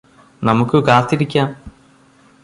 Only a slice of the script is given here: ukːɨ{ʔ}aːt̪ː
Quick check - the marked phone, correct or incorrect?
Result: incorrect